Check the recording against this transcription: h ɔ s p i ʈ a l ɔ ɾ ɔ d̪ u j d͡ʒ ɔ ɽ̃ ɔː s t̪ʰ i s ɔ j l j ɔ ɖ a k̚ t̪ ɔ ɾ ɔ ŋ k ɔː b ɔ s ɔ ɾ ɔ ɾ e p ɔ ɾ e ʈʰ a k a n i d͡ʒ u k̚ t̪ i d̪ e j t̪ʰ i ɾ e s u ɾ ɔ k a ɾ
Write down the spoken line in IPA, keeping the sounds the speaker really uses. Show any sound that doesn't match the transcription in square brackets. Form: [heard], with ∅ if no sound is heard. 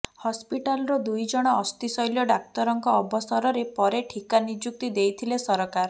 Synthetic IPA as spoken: h ɔ s p i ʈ a l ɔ ɾ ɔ d̪ u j d͡ʒ ɔ ɽ̃ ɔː s [t̪] i s ɔ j l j ɔ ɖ a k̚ t̪ ɔ ɾ ɔ ŋ k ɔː b ɔ s ɔ ɾ ɔ ɾ e p ɔ ɾ e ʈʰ [i] k a n i d͡ʒ u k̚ t̪ i d̪ e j t̪ʰ i [l] e s [ɔ] ɾ ɔ k a ɾ